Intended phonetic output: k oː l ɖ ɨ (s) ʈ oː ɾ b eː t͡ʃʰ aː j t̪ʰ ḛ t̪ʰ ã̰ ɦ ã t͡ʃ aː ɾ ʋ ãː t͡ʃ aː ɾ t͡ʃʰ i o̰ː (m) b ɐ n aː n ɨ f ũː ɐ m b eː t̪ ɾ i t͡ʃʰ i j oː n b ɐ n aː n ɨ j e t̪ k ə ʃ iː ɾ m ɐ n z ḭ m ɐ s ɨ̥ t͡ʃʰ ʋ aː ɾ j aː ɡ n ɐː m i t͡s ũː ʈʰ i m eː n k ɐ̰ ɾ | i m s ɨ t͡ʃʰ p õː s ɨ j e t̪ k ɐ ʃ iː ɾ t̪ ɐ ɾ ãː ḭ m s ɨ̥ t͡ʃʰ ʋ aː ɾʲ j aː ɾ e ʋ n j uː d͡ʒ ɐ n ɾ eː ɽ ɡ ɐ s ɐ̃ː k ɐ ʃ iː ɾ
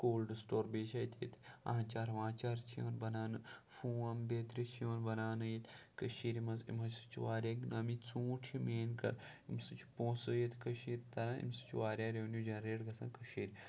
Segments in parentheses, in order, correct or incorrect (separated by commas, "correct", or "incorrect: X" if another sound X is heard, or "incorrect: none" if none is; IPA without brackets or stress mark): correct, incorrect: n